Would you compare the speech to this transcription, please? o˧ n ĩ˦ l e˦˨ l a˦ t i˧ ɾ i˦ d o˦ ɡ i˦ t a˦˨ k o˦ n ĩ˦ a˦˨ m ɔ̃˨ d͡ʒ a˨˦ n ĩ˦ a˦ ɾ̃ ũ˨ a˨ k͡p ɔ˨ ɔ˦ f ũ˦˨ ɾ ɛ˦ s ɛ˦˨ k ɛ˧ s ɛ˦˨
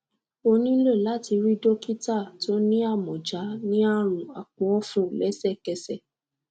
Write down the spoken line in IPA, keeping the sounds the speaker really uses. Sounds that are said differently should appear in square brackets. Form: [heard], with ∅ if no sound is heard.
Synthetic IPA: o˧ n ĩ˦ l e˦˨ l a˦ t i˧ ɾ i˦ d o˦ [k] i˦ t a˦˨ [t] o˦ n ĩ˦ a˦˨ m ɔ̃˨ d͡ʒ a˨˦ n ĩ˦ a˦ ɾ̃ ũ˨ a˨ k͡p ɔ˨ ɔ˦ f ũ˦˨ [l] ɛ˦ s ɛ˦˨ k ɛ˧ s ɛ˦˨